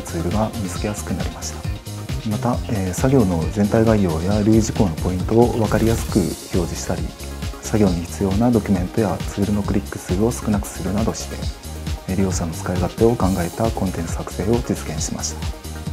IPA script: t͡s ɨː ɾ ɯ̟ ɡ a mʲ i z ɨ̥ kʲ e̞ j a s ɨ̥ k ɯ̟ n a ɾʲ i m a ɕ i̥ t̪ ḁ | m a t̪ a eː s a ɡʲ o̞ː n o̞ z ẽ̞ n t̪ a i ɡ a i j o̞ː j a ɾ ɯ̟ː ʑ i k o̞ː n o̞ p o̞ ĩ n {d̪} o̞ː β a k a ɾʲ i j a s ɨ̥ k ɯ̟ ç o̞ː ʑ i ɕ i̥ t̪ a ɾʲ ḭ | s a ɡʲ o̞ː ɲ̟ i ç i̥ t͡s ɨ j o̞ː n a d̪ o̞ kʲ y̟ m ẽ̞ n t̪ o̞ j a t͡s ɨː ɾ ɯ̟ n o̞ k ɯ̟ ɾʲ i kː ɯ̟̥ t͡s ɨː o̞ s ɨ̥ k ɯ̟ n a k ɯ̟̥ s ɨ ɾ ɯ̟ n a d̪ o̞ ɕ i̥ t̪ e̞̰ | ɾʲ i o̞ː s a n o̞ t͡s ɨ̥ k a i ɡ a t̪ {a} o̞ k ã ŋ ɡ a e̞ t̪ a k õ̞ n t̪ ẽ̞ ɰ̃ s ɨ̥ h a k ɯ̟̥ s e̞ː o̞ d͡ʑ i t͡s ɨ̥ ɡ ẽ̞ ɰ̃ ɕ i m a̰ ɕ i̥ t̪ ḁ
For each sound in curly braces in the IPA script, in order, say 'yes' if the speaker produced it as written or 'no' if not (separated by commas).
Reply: no, no